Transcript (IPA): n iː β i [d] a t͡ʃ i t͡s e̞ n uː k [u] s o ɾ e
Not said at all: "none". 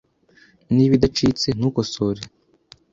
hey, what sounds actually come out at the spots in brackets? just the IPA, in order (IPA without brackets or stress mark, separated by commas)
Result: d, o